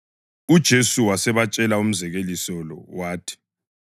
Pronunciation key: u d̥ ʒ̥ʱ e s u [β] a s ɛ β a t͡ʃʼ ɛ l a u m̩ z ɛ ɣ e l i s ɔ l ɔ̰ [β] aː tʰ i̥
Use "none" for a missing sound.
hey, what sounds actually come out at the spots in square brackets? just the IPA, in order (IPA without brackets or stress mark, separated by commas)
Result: w, w